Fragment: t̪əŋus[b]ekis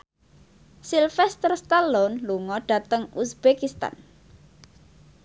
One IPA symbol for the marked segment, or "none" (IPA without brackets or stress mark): b